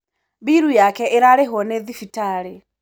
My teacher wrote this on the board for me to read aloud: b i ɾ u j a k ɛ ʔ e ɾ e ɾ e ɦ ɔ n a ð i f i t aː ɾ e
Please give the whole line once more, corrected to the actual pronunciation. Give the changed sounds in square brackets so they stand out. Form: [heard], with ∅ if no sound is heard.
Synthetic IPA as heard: b i ɾ u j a k ɛ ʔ e ɾ [a] ɾ e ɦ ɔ n [e] ð i f i t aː ɾ e